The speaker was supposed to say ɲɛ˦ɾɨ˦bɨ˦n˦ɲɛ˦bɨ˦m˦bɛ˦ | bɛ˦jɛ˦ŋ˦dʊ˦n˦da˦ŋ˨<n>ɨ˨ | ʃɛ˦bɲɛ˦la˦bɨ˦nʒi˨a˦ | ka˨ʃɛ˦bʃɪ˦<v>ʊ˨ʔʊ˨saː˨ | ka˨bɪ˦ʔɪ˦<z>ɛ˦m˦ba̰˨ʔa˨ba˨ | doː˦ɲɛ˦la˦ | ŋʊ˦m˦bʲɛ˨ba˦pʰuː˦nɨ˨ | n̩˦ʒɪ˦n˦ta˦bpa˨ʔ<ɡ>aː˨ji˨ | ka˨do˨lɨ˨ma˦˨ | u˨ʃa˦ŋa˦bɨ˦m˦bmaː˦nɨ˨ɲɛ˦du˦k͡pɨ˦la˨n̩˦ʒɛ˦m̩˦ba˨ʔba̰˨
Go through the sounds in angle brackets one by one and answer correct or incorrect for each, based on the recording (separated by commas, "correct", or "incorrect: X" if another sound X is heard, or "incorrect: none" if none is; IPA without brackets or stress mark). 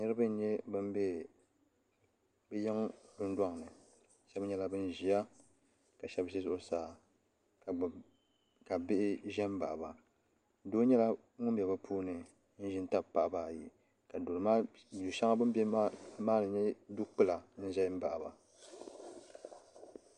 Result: correct, incorrect: z, incorrect: ʒ, incorrect: b